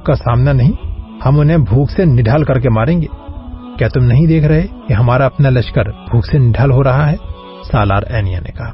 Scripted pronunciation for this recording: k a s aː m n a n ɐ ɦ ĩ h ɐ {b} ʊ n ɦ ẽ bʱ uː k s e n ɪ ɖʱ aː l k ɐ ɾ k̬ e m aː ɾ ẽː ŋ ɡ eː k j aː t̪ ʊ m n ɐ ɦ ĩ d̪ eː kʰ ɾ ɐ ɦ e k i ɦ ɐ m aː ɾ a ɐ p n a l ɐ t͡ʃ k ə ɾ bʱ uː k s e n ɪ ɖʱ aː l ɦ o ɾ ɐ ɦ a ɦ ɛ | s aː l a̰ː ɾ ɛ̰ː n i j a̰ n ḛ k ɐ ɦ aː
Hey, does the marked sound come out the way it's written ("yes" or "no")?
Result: no